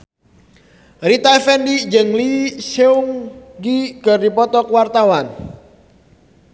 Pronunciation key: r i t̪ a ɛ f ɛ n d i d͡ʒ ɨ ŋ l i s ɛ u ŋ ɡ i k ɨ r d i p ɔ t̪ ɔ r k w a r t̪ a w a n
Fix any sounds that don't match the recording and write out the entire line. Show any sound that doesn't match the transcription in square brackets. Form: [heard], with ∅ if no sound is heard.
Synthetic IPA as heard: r i t̪ a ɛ f ɛ n d i d͡ʒ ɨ ŋ l i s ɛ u ŋ ɡ i k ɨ r d i p ɔ t̪ ɔ [∅] k w a r t̪ a w a n